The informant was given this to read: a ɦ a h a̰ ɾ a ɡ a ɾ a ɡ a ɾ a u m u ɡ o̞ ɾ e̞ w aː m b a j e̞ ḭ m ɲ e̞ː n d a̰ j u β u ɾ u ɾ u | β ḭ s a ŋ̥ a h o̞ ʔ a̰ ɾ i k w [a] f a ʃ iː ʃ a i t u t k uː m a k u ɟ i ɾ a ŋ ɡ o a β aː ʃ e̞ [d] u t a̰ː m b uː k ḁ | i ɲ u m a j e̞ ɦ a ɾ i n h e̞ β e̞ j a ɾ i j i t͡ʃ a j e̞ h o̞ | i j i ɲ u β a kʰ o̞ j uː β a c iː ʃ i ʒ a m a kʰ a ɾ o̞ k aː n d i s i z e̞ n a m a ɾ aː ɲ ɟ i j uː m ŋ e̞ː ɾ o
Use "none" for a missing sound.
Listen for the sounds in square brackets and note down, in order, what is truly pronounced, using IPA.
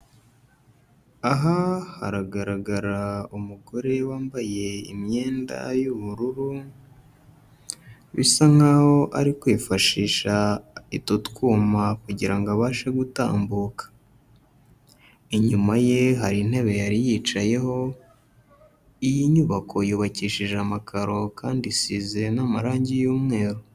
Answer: i, ɡ

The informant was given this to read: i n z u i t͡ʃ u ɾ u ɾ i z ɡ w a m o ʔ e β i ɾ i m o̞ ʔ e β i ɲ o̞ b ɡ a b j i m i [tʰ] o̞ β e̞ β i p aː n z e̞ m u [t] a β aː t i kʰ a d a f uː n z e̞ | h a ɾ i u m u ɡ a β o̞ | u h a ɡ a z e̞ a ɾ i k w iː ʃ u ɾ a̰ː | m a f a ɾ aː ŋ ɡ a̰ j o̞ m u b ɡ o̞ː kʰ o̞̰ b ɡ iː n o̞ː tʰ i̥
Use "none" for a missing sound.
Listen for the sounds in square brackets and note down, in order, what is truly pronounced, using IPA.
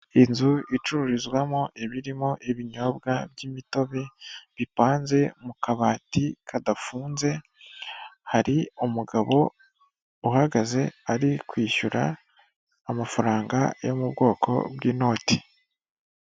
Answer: t, k

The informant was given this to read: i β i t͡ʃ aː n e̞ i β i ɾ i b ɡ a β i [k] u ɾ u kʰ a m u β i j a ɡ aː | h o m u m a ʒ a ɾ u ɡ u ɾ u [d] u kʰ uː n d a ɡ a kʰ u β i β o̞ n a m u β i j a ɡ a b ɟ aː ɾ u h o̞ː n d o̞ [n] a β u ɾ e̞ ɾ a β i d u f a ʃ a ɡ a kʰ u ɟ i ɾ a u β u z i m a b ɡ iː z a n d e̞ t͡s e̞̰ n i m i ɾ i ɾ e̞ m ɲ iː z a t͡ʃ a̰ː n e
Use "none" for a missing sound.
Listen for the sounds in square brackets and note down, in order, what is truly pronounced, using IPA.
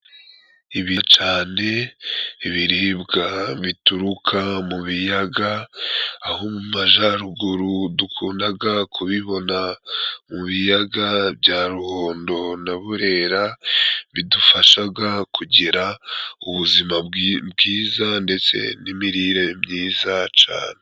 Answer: t, d, n

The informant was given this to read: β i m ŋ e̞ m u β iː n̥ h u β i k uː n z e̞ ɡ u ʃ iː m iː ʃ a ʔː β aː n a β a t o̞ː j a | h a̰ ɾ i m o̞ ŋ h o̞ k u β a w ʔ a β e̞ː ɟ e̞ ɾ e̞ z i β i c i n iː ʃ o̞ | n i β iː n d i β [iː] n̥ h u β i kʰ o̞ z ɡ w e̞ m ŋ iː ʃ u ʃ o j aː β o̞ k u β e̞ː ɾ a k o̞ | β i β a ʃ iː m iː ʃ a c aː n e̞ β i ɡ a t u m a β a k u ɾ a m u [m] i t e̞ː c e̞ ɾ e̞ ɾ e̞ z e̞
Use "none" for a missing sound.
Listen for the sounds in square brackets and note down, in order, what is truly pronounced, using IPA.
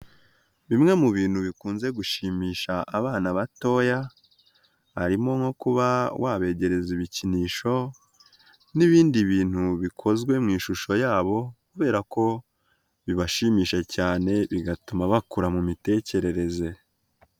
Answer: iː, m

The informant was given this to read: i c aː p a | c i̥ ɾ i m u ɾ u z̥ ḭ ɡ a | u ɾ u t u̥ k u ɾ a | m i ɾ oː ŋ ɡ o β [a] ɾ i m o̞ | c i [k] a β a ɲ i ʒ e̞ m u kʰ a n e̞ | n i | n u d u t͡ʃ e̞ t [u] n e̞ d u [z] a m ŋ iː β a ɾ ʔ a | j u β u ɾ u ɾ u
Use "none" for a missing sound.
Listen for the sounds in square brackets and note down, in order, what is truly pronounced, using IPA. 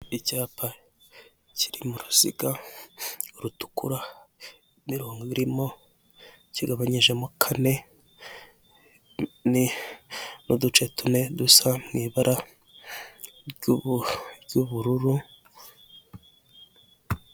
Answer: i, ɡ, u, s

